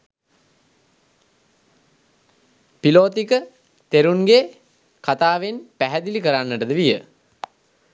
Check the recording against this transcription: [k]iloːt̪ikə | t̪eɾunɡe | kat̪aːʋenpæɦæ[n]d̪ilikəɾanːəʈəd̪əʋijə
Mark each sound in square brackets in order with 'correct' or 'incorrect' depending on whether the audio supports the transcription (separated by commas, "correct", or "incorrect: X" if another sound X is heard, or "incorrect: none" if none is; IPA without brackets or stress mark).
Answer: incorrect: p, incorrect: none